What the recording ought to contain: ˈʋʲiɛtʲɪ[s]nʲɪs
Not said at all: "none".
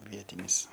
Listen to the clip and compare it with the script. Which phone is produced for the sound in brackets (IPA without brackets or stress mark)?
none